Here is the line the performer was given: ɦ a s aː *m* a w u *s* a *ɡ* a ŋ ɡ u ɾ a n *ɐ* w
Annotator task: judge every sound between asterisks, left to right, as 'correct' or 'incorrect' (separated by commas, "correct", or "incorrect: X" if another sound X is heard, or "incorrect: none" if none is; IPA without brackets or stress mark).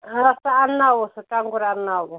incorrect: n, correct, incorrect: k, incorrect: a